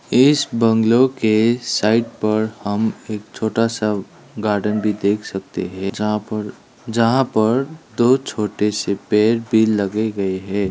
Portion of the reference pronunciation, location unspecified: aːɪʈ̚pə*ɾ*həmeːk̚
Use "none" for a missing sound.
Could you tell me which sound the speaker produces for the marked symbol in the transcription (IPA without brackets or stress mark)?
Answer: ɾ